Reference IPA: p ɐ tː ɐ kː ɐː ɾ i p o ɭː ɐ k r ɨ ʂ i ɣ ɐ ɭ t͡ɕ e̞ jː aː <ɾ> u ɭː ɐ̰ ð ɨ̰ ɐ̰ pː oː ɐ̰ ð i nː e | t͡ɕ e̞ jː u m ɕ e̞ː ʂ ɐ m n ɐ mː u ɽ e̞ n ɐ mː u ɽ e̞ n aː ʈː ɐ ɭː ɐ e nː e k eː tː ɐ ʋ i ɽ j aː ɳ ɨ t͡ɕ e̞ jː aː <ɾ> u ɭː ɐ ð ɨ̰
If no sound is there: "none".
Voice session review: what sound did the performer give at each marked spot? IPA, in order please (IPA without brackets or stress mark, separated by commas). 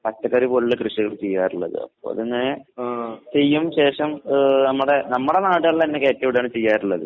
ɾ, ɾ